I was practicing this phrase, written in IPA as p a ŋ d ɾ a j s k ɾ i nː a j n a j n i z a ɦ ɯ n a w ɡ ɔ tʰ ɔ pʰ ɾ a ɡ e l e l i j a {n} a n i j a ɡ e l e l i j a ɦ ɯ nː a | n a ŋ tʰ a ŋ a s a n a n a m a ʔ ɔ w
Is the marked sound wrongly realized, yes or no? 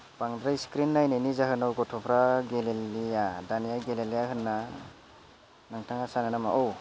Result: yes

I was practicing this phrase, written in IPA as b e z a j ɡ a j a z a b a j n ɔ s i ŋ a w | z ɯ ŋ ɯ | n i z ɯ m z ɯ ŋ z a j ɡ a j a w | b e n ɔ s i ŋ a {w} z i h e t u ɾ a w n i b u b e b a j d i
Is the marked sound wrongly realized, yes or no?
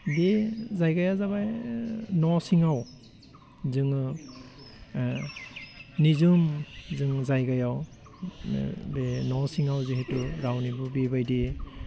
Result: no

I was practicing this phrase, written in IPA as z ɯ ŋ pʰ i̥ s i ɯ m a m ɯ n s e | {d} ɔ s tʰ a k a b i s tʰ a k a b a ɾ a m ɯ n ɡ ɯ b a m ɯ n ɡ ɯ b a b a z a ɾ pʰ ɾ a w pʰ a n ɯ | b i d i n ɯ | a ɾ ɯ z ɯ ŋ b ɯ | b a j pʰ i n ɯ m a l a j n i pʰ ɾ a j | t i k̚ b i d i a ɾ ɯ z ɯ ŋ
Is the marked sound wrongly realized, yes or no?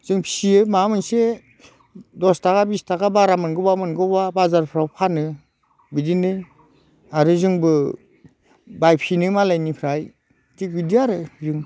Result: no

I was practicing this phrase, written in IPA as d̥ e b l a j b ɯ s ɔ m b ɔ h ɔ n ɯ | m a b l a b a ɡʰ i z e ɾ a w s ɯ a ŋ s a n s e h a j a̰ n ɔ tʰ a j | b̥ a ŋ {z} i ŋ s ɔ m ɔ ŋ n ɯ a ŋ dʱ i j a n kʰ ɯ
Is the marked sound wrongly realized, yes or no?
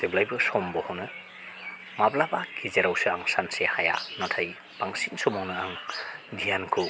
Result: yes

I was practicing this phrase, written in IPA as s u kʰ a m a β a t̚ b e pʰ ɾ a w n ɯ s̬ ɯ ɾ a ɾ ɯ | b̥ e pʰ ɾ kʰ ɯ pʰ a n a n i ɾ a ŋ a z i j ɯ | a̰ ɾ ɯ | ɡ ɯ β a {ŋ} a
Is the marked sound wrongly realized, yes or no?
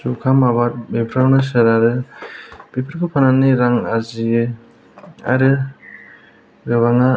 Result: no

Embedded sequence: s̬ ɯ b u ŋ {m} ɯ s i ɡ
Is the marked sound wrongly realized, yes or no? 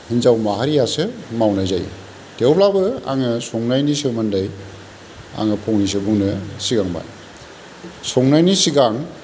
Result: yes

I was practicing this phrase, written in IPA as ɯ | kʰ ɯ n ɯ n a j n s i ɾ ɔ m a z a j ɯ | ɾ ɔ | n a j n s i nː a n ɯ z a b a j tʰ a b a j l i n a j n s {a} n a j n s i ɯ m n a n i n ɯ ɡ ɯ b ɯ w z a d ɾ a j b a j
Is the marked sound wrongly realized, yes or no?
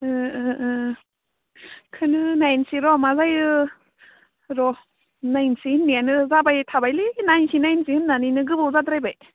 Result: yes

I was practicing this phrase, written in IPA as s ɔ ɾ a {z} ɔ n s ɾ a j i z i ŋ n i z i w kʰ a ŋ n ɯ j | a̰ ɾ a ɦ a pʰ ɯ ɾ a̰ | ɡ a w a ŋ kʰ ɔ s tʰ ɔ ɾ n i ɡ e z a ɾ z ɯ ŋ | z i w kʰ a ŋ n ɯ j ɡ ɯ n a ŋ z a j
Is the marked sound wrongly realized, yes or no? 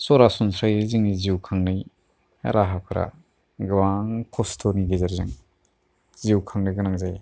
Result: yes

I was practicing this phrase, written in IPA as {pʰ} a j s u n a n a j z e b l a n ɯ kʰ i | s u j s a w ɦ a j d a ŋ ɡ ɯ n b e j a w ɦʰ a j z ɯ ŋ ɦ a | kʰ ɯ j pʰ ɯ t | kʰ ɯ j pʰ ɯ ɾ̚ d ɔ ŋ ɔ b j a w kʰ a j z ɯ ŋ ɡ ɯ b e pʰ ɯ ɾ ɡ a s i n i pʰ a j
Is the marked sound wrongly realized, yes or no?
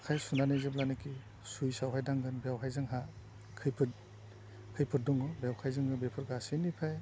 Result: yes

